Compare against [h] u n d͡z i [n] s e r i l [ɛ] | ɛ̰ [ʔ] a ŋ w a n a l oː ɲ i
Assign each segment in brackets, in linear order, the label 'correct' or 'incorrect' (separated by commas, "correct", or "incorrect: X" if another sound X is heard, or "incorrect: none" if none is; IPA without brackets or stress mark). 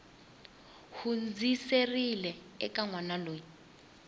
correct, incorrect: none, correct, incorrect: k